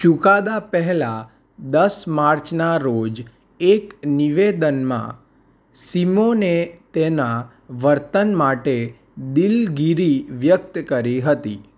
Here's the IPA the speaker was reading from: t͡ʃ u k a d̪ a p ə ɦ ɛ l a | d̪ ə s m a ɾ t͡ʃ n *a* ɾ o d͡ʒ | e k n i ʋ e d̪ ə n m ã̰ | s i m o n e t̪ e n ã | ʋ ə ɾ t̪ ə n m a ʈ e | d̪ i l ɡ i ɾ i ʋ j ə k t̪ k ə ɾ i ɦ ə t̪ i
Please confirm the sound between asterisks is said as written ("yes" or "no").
yes